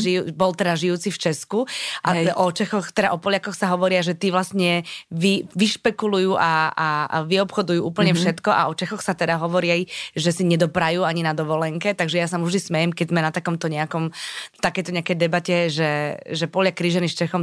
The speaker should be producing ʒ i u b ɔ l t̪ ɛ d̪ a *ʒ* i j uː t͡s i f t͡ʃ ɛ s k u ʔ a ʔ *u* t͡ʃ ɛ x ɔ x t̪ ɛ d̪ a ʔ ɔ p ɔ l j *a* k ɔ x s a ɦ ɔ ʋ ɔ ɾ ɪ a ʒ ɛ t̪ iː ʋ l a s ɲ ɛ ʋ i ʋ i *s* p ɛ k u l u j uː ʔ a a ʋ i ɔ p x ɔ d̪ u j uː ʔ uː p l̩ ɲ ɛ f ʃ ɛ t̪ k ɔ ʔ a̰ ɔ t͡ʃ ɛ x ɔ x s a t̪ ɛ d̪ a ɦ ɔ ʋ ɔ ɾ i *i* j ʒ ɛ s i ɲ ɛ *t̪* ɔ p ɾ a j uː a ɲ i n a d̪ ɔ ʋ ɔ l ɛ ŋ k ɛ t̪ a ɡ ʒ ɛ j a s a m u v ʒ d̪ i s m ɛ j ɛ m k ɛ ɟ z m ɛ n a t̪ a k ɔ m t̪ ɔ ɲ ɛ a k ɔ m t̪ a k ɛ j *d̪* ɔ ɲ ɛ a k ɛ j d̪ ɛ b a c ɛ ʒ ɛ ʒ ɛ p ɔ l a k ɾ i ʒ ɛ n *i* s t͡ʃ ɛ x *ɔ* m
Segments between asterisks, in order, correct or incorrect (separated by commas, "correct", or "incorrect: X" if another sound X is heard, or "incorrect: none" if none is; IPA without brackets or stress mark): correct, incorrect: ɔ, correct, incorrect: ʃ, incorrect: a, incorrect: d̪, incorrect: t̪, correct, correct